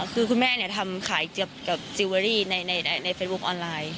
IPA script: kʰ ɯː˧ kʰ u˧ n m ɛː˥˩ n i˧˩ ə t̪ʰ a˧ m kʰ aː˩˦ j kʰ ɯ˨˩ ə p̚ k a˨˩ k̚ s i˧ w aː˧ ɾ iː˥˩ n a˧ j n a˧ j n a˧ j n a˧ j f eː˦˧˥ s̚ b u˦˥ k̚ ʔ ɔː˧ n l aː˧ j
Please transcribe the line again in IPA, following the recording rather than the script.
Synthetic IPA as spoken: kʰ ɯː˧ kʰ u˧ n m ɛː˥˩ n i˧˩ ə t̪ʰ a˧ m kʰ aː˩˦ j k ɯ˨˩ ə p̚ k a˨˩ p̚ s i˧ w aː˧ ɾ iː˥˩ n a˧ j n a˧ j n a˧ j n a˧ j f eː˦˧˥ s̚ b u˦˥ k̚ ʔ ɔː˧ n l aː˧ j

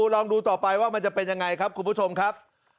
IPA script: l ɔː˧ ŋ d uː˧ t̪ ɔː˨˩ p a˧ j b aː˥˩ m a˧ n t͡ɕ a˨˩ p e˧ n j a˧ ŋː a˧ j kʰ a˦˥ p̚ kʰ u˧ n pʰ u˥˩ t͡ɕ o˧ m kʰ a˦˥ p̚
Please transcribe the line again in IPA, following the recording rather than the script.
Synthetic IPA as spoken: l ɔː˧ ŋ d uː˧ t̪ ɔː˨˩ p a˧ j w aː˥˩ m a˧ n t͡ɕ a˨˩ p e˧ n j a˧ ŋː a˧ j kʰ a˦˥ p̚ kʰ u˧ n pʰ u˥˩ t͡ɕʰ o˧ m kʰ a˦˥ p̚

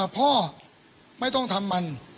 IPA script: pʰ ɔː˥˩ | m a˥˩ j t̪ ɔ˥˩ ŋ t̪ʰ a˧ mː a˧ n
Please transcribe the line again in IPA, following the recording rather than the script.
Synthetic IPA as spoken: pʰ ɔː˥˩ | m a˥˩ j t̪ ɔ˥˩ ŋ t̪ʰ a˧ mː a˧ n

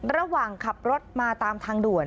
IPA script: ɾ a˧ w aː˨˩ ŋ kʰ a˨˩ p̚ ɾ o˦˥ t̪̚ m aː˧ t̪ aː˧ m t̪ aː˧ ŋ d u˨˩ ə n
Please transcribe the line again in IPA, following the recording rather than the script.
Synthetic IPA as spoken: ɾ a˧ w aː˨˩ ŋ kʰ a˨˩ p̚ ɾ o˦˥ t̪̚ m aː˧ t̪ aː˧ m t̪ʰ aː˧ ŋ d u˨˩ ə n

